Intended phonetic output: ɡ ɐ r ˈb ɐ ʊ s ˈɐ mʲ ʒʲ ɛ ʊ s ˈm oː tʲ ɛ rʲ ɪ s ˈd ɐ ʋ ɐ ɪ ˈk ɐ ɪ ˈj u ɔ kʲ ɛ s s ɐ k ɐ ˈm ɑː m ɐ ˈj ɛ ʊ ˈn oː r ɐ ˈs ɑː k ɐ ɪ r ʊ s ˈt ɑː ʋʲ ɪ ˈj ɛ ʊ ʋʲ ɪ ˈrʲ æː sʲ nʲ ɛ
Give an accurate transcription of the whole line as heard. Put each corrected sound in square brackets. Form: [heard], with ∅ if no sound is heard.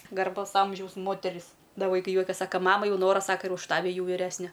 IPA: ɡ ɐ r ˈb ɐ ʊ s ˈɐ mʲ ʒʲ ɛ ʊ s ˈm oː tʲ ɛ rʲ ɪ s ˈd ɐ ʋ ɐ ɪ ˈk ɐ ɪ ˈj u ɔ kʲ ɛ s s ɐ k ɐ ˈm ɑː m ɐ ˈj ɛ ʊ ˈn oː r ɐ ˈs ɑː k ɐ ɪ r ʊ [ʃ] ˈt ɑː ʋʲ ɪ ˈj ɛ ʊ ʋʲ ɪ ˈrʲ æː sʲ nʲ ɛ

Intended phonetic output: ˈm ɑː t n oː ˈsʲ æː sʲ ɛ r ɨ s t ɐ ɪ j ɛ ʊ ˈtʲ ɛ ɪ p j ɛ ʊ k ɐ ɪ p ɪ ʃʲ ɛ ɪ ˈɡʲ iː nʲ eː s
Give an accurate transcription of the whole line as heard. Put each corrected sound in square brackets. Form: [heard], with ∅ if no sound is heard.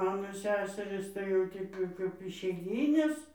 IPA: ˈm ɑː [∅] n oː ˈsʲ æː sʲ ɛ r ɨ s t ɐ ɪ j ɛ ʊ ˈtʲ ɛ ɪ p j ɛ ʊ k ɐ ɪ p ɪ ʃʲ ɛ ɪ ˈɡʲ iː nʲ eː s

